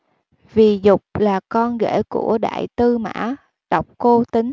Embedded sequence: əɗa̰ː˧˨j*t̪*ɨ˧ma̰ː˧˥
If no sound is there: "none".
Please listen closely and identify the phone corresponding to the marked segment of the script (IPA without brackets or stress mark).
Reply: t̪